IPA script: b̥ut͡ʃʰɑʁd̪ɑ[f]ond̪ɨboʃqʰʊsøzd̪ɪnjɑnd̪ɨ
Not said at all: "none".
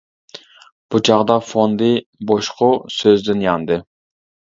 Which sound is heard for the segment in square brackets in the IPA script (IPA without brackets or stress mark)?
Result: f